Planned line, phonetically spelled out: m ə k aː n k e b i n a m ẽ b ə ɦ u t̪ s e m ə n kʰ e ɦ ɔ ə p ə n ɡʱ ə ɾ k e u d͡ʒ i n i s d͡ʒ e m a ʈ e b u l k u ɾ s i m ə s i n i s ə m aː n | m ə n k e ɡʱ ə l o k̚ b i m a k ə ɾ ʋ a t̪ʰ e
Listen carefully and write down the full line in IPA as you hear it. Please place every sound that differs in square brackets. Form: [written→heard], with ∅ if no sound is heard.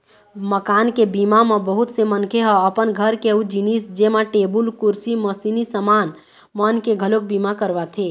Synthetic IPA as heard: m ə k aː n k e b i [n→m] a m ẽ b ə ɦ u t̪ s e m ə n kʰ e ɦ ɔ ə p ə n ɡʱ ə ɾ k e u d͡ʒ i n i s d͡ʒ e m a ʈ e b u l k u ɾ s i m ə s i n i s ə m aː n | m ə n k e ɡʱ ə l o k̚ b i m a k ə ɾ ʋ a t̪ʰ e